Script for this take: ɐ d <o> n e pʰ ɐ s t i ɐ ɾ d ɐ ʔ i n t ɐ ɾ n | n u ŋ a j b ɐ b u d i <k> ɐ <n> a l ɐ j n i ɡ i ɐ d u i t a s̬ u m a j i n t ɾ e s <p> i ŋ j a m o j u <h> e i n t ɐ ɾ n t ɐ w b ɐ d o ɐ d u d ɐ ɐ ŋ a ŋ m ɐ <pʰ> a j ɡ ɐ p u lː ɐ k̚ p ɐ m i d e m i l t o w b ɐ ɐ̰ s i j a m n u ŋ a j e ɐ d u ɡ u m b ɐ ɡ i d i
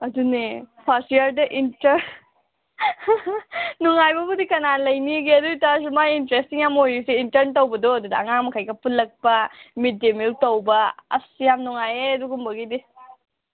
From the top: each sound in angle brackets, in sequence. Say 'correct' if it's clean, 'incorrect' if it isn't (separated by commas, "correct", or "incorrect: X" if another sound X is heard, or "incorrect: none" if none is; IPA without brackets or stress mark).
incorrect: u, correct, correct, incorrect: t, incorrect: s, incorrect: kʰ